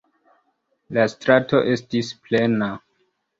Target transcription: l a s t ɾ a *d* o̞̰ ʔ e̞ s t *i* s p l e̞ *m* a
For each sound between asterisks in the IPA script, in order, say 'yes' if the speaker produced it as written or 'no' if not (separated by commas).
no, yes, no